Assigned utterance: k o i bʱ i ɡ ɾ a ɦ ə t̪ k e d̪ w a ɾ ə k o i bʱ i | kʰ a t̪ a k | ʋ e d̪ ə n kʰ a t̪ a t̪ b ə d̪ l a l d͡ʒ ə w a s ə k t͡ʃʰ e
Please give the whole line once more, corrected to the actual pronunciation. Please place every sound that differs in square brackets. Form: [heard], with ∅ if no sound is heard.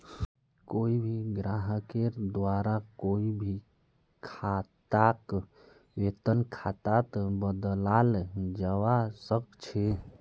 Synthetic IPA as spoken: k o i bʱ i ɡ ɾ a ɦ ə [∅] k e d̪ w a ɾ [a] k o i bʱ i | kʰ a t̪ a k | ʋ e [t̪] ə n kʰ a t̪ a t̪ b ə d̪ l a l d͡ʒ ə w a s ə k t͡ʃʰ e